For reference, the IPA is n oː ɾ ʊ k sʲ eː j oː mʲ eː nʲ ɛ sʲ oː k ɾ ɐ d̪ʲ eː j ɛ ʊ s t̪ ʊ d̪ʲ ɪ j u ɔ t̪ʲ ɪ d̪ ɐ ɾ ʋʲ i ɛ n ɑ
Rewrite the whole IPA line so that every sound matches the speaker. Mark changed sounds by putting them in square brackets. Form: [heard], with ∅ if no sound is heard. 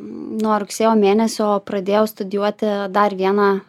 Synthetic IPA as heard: n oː ɾ ʊ k sʲ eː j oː mʲ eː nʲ ɛ sʲ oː [p] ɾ ɐ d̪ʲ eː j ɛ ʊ s t̪ ʊ d̪ʲ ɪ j u ɔ t̪ʲ ɪ d̪ ɐ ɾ ʋʲ i ɛ n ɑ